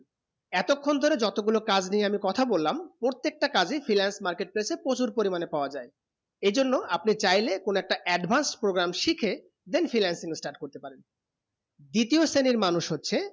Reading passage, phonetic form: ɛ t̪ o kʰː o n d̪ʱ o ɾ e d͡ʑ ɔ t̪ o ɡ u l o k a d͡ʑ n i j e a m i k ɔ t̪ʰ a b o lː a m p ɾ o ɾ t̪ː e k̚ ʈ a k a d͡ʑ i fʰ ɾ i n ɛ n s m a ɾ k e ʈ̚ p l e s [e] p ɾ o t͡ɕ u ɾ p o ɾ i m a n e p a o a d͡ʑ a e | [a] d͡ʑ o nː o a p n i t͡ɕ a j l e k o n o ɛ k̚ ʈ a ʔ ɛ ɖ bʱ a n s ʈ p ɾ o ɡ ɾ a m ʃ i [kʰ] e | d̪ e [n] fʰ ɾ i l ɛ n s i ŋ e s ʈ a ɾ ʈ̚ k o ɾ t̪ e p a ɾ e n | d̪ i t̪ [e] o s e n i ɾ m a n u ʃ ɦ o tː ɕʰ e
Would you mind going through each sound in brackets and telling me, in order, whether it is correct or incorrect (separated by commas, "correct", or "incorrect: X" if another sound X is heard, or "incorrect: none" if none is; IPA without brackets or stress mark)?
correct, incorrect: e, correct, correct, incorrect: i